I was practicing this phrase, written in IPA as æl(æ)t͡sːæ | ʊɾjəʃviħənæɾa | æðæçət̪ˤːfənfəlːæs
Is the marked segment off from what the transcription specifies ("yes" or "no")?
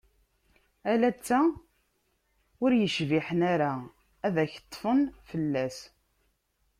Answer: no